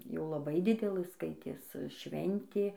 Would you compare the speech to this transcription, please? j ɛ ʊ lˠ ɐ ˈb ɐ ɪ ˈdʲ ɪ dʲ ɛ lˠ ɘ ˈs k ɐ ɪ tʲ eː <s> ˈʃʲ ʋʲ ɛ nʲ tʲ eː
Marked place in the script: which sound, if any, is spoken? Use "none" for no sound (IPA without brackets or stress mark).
s